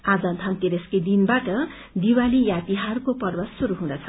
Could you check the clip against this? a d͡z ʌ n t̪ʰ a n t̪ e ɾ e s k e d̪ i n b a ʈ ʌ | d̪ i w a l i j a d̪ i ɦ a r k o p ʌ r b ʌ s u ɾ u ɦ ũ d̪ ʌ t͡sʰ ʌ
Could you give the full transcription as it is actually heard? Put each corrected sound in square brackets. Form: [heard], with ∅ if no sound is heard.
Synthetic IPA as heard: a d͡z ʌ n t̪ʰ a n t̪ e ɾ e s k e d̪ i n b a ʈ ʌ | d̪ i w a l i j a [t̪] i ɦ a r k o p ʌ r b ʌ s u ɾ u ɦ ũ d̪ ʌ t͡sʰ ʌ

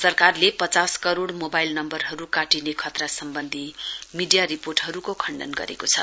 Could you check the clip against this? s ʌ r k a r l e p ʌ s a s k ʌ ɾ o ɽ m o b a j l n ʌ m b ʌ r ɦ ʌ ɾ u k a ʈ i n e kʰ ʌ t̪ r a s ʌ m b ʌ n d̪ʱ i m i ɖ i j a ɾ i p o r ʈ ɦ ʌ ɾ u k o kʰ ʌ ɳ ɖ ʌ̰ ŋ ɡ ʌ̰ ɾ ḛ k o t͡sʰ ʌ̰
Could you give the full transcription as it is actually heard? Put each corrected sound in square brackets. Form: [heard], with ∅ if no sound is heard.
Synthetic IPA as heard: s ʌ r k a r l e p ʌ [t͡s] a s k ʌ ɾ o ɽ m o b a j l n ʌ m b ʌ r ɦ ʌ ɾ u k a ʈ i n e kʰ ʌ t̪ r a s ʌ m b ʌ n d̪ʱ i m i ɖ i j a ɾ i p o r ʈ ɦ ʌ ɾ u k o kʰ ʌ ɳ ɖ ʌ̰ [n] ɡ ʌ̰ ɾ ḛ k o t͡sʰ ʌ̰

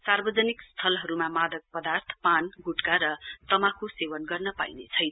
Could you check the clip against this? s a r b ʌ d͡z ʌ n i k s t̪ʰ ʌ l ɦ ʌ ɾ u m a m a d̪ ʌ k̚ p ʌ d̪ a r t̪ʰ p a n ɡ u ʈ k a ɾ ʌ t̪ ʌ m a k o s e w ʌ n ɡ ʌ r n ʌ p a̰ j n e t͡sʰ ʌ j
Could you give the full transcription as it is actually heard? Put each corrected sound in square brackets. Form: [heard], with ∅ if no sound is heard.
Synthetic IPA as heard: s a r b ʌ d͡z ʌ n i k s t̪ʰ ʌ l ɦ ʌ ɾ u m a m a d̪ ʌ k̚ p ʌ d̪ a r t̪ʰ p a n ɡ u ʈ k a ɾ ʌ t̪ ʌ m a k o s e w ʌ n ɡ ʌ r n ʌ p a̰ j n e t͡sʰ ʌ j

